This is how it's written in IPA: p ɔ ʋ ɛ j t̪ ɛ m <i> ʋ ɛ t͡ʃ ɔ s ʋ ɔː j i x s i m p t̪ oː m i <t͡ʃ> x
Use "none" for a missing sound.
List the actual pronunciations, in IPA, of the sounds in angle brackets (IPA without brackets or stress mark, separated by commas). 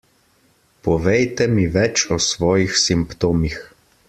i, none